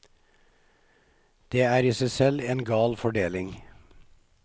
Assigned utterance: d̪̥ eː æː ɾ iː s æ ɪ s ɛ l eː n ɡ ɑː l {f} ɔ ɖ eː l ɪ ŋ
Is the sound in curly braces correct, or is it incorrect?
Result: correct